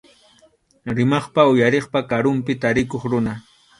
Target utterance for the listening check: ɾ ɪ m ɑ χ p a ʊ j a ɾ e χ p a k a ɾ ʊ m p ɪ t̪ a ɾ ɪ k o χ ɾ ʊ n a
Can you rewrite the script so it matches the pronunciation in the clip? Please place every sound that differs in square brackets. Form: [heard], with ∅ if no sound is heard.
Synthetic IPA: ɾ ɪ m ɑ χ p a ʊ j a ɾ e χ p a k a ɾ ʊ m p ɪ t̪ a ɾ ɪ k o χ ɾ ʊ n a